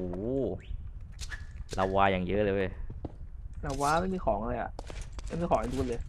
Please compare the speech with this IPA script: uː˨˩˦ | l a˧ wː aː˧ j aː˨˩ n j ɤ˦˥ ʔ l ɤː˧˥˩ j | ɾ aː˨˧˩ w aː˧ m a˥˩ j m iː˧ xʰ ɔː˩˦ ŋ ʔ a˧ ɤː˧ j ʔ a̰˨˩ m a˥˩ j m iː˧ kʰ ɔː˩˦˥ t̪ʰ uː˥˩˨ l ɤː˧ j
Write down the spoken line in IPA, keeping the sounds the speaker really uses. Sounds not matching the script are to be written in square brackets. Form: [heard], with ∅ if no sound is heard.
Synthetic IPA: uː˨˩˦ | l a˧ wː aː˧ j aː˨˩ [ŋ] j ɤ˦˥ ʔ l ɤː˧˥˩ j | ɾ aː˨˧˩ w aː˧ m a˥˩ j m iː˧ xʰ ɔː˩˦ ŋ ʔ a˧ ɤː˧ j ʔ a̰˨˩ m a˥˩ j m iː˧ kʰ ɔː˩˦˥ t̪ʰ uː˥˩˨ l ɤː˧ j